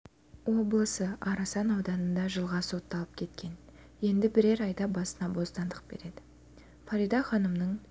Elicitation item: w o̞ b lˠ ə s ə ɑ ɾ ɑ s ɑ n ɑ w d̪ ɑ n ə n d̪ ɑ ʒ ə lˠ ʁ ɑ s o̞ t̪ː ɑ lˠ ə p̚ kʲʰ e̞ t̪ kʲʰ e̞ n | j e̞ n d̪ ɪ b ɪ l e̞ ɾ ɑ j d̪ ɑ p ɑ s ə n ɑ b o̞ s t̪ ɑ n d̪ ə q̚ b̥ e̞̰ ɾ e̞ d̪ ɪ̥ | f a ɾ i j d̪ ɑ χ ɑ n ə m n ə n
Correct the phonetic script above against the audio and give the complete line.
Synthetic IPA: w o̞ b lˠ ə s ə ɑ ɾ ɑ s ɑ n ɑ w d̪ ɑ n ə n d̪ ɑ ʒ ə lˠ ʁ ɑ s o̞ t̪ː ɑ lˠ ə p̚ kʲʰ e̞ t̪ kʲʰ e̞ n | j e̞ n d̪ ɪ b ɪ ɾ e̞ ɾ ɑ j d̪ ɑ b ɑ s ə n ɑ b o̞ s t̪ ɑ n d̪ ə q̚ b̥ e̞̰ ɾ e̞ d̪ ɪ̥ | f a ɾ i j d̪ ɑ χ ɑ n ə m n ə ɴ